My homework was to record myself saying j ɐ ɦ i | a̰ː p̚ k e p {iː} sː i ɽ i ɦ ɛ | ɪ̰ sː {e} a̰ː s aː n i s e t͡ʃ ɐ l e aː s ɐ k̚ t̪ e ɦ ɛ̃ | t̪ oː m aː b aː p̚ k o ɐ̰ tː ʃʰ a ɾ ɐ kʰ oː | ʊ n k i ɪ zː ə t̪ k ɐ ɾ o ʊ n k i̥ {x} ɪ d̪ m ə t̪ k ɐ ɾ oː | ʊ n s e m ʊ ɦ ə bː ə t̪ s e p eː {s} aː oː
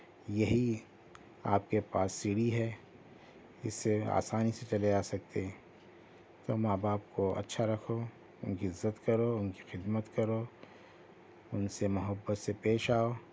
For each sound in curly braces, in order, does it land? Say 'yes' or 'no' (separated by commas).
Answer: no, yes, yes, no